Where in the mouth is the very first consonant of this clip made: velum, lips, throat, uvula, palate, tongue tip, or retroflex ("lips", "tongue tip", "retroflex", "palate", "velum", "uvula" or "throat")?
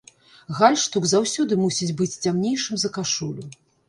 velum